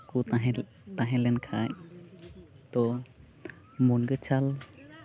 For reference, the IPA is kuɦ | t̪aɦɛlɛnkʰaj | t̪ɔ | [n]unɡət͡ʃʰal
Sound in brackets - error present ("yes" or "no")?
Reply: yes